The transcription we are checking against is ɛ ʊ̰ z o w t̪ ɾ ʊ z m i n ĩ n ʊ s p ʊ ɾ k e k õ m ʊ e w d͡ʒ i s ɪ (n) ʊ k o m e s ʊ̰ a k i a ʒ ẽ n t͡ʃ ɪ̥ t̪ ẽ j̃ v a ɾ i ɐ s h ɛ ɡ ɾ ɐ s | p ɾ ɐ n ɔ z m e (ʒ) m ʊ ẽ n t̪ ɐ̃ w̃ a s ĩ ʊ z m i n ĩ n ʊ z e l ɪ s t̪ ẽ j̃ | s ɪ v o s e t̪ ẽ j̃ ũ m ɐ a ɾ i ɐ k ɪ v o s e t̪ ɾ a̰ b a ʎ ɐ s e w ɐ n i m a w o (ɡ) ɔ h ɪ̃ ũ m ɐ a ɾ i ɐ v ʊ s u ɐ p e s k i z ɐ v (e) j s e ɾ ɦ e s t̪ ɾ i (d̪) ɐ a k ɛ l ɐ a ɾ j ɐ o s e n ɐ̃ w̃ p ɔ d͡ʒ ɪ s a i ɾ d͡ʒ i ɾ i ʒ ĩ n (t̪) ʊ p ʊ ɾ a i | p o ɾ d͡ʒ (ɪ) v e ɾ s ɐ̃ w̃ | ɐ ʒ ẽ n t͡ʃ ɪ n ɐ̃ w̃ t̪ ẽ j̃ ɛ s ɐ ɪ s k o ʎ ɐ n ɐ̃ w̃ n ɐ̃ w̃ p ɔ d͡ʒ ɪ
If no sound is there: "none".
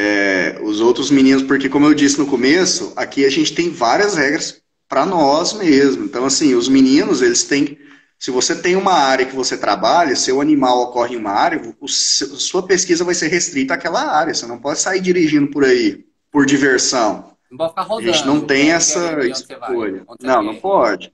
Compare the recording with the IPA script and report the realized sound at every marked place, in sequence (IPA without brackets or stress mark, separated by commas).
n, z, k, a, t̪, d̪, i